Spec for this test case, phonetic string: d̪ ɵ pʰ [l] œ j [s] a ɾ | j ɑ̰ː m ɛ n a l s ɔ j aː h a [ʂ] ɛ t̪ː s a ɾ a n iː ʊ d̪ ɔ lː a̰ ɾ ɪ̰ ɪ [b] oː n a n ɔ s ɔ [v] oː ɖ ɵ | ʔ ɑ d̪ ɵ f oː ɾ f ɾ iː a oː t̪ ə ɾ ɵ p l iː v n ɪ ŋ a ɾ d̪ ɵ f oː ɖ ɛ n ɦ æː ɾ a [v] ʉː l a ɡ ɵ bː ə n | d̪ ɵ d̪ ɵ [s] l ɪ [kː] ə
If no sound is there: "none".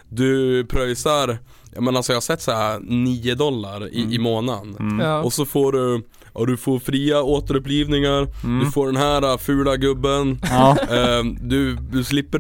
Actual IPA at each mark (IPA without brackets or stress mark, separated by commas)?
ɾ, s, s, m, f, f, s, pː